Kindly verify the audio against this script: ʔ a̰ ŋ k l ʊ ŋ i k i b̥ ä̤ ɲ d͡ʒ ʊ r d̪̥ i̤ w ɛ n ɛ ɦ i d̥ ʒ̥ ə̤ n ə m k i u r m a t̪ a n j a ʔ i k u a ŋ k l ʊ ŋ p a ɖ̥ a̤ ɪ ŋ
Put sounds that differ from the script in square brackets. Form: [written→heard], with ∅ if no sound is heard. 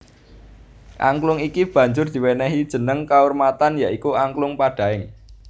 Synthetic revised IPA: ʔ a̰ ŋ k l ʊ ŋ i k i b̥ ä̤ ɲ d͡ʒ ʊ r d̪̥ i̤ w ɛ n ɛ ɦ i d̥ ʒ̥ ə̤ n ə [m→ŋ] k [i→a] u r m a t̪ a n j a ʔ i k u a ŋ k l ʊ ŋ p a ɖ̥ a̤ ɪ ŋ